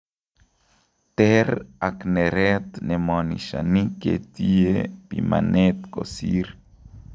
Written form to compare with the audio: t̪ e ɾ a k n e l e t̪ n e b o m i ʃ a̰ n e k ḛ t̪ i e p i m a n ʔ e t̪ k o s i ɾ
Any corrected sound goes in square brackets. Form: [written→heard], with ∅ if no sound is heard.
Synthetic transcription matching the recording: t̪ e ɾ a k n e [l→ɾ] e t̪ n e [b→m] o [m→n] i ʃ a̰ n [e→i] k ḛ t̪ i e p i m a n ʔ e t̪ k o s i ɾ